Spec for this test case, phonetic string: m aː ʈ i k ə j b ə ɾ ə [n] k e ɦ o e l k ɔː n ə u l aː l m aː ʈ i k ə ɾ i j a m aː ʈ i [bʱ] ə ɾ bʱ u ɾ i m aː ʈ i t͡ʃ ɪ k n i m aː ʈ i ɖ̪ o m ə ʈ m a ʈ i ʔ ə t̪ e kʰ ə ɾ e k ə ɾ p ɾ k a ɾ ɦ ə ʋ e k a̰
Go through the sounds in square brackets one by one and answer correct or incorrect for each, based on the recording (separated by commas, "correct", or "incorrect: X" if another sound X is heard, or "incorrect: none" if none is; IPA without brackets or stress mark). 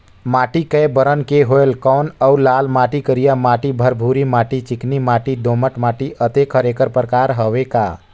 correct, correct